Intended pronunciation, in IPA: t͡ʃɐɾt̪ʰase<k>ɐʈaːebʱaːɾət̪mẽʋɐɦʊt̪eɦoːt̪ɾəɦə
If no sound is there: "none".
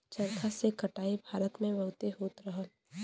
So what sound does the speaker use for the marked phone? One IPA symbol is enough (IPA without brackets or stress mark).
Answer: k